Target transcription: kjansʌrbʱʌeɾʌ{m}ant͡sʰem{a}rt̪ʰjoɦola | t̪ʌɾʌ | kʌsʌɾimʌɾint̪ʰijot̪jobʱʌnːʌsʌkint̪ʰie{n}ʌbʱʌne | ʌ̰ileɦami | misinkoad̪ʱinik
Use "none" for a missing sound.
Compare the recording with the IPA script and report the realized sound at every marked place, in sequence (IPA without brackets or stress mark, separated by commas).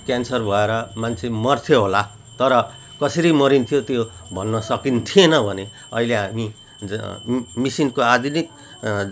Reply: m, ʌ, n